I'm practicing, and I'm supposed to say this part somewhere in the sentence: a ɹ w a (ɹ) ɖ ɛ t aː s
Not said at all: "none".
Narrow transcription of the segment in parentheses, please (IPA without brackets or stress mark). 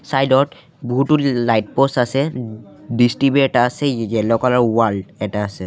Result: l